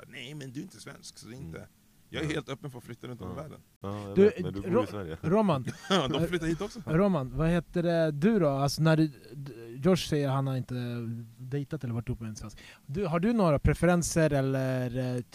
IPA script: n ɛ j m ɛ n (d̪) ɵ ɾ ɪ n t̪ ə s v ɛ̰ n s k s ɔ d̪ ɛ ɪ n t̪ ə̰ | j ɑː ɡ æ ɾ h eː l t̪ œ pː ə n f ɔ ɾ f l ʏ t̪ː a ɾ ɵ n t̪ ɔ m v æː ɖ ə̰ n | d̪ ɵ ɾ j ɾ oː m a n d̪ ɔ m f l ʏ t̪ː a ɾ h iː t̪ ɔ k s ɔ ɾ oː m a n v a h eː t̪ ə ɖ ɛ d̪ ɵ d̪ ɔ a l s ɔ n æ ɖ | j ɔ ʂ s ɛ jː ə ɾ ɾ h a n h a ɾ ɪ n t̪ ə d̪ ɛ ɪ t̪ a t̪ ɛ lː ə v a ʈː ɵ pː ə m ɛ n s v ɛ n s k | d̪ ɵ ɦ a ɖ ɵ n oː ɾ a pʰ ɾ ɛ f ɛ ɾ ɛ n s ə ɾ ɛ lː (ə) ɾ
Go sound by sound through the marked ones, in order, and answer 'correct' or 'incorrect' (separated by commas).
correct, correct